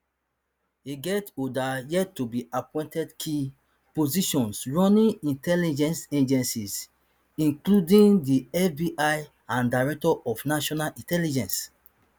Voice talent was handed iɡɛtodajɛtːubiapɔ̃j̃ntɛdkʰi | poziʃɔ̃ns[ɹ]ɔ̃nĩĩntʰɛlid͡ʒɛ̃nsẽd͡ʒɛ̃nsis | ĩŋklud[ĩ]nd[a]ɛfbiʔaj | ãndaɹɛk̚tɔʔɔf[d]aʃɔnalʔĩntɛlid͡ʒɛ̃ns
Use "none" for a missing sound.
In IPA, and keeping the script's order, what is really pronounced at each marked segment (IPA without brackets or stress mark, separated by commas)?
ɹ, ĩ, i, n